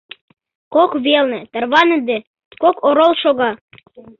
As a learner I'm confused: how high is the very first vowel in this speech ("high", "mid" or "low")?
mid